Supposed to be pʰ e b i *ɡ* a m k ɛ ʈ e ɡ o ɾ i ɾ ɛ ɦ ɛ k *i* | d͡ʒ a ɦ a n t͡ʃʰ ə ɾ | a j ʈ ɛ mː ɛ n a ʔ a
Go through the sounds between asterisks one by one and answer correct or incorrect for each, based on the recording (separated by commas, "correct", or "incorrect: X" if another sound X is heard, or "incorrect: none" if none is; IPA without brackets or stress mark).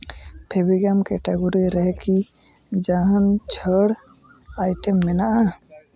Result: correct, correct